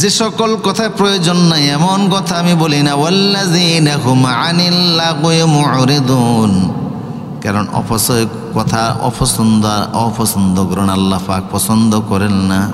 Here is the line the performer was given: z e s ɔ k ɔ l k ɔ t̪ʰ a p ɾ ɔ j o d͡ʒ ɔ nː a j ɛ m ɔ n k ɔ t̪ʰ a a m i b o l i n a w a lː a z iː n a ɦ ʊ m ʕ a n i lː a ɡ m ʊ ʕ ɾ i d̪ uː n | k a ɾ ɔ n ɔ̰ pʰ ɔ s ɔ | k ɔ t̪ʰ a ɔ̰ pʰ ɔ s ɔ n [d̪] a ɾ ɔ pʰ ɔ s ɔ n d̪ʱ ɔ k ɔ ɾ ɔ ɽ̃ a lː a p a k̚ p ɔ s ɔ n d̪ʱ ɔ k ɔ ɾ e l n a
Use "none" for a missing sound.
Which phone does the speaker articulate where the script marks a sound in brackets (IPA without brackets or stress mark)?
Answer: d̪